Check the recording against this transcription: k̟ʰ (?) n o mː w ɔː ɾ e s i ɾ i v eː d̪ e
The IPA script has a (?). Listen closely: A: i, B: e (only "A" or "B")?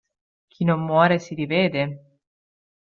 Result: A